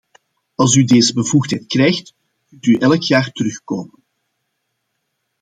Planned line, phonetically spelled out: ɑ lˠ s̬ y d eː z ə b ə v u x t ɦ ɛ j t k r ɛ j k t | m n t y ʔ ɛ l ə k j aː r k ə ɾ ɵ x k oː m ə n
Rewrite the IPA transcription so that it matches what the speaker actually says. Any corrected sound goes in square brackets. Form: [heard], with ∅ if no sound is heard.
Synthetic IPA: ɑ lˠ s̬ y d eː z ə b ə v u x t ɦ ɛ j t k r ɛ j [x] t | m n t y ʔ ɛ l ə k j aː r [t] ə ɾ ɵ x k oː m ə n

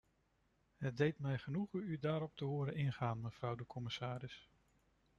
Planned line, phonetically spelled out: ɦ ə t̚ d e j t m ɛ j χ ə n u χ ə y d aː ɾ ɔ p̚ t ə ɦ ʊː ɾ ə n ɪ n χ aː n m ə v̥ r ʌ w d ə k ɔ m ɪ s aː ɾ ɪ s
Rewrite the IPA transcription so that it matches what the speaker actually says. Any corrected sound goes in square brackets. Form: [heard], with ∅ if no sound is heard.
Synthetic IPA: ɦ ə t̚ d e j t m ɛ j χ ə n u χ ə y d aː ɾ ɔ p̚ t ə ɦ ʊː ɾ ə n ɪ n χ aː n m ə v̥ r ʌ w d ə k ɔ m ɪ s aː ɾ ɪ s

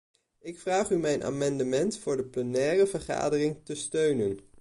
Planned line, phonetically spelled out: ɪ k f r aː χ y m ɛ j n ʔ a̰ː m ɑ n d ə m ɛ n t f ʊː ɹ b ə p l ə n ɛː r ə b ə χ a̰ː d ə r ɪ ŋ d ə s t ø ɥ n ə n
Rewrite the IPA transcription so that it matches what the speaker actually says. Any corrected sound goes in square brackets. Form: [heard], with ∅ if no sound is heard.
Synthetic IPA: ɪ k f r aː χ y m ɛ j n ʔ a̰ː m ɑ n d ə m ɛ n t f ʊː ɹ [d] ə p l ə n ɛː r ə [v] ə χ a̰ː d ə r ɪ ŋ [t] ə s t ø ɥ n ə n

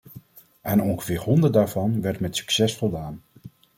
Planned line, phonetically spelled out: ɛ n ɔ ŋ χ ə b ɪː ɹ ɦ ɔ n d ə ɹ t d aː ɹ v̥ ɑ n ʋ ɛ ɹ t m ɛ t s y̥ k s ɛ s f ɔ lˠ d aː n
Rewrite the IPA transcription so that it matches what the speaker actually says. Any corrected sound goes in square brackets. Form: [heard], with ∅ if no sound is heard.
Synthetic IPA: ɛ n ɔ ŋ χ ə [v] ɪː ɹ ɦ ɔ n d ə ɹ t d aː ɹ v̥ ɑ n ʋ ɛ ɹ t m ɛ t s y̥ k s ɛ s f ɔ lˠ d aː n

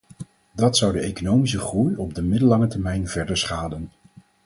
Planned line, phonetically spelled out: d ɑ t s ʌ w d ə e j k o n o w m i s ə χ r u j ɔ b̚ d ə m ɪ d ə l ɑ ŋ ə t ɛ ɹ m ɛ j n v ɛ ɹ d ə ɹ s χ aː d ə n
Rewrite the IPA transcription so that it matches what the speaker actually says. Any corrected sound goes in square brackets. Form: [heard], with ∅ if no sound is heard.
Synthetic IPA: d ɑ t s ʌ w d ə e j k o n o w m i s ə χ r u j ɔ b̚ d ə m ɪ d ə l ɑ ŋ ə t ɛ ɹ m ɛ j n v ɛ ɹ d ə ɹ s χ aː d ə n

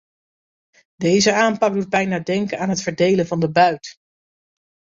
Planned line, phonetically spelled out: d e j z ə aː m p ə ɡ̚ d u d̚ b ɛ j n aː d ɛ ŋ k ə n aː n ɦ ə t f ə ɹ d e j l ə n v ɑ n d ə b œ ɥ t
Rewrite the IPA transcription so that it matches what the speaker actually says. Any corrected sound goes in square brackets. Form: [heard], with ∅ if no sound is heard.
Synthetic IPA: d e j z ə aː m p [ɑ] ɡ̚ d u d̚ b ɛ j n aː d ɛ ŋ k ə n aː n ɦ ə t f ə ɹ d e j l ə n v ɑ n d ə b œ ɥ t

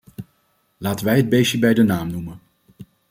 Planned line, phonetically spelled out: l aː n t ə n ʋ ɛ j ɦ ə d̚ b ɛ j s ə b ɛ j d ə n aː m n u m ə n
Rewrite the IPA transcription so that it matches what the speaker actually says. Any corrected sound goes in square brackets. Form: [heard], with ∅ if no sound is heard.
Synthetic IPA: l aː [∅] t ə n ʋ ɛ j ɦ ə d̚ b [e] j s ə b ɛ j d ə n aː m n u m ə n

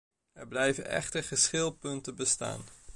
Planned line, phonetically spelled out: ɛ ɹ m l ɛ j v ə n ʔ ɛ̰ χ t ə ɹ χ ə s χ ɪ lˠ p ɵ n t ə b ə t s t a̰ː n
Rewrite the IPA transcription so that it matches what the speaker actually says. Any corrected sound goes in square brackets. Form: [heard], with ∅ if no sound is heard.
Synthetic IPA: ɛ ɹ [b] l ɛ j v ə n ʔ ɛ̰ χ t ə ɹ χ ə s χ ɪ lˠ p ɵ n t ə b ə [∅] s t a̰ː n

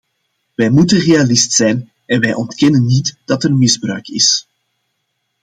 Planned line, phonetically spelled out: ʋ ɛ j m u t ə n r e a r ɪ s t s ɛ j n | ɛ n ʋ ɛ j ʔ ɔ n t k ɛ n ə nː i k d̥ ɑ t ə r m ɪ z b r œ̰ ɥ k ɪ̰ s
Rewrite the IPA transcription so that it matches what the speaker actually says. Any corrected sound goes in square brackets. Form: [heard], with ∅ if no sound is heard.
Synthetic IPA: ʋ ɛ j m u t ə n r e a [l] ɪ s t s ɛ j n | ɛ n ʋ ɛ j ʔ ɔ n t k ɛ n ə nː i [t] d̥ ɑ t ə r m ɪ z b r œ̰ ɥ k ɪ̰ s

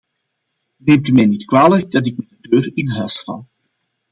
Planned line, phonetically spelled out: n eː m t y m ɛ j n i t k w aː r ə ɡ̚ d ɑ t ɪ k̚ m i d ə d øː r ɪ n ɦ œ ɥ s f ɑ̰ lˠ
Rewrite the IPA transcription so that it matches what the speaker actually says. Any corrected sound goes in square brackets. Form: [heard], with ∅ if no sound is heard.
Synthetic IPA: n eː m t y m ɛ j n i t k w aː [l] ə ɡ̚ d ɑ t ɪ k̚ m [ɛ] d ə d øː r ɪ n ɦ œ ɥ s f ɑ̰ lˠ

